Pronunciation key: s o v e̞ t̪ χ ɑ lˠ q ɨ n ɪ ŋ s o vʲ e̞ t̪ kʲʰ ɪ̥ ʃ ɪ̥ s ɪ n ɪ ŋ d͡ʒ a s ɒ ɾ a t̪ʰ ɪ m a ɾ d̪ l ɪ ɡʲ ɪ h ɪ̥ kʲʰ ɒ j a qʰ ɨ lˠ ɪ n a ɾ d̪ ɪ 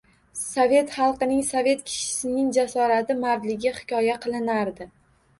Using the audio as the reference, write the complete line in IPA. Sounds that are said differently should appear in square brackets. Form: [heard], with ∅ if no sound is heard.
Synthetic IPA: s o v e̞ t̪ χ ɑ lˠ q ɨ n ɪ ŋ s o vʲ e̞ t̪ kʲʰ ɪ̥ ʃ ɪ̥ s ɪ n ɪ ŋ d͡ʒ a s ɒ ɾ a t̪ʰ ɪ m a ɾ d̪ l ɪ ɡʲ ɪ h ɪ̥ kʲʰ ɒ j a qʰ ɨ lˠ ɪ n a ɾ d̪ ɪ